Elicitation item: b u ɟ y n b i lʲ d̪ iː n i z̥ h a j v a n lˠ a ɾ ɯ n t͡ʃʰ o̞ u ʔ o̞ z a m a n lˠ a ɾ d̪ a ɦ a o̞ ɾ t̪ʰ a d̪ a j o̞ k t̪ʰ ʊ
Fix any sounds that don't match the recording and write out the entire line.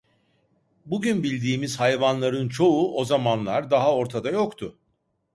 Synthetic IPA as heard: b u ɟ y n b i lʲ d̪ iː m i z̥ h a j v a n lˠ a ɾ ɯ n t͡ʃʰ o̞ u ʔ o̞ z a m a n lˠ a ɾ d̪ a ɦ a o̞ ɾ t̪ʰ a d̪ a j o̞ k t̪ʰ ʊ